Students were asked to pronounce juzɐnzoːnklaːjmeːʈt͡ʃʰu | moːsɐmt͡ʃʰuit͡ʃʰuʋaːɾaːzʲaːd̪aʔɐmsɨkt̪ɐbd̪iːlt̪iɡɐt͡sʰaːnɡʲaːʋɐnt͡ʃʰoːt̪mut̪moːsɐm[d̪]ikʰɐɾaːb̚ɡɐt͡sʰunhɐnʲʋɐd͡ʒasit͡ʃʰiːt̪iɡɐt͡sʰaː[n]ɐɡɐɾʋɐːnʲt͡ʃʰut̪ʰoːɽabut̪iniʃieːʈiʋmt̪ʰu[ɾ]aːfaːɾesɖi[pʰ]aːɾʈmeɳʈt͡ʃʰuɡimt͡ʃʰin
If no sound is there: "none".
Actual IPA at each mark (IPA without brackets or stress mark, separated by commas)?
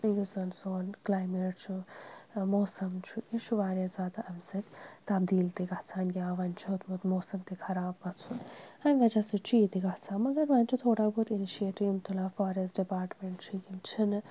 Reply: t̪, m, l, p